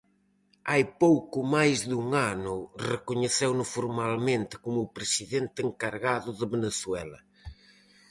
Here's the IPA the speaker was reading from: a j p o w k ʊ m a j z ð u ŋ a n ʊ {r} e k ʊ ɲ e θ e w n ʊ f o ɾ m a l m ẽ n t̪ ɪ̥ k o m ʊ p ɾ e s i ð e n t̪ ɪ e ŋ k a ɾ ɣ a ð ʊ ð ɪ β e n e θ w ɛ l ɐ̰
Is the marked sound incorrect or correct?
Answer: correct